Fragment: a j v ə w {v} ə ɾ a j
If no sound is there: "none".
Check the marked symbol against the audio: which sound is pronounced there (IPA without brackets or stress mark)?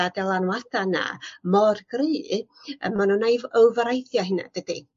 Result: v